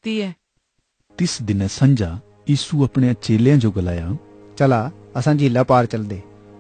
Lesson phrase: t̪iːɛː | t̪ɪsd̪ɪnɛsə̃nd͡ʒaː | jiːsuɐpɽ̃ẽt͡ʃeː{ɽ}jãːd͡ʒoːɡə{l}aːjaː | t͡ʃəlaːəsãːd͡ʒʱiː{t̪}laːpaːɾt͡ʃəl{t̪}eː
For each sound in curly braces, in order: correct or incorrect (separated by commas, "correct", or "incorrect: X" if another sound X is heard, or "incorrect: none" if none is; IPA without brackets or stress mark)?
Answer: incorrect: l, correct, incorrect: none, incorrect: d̪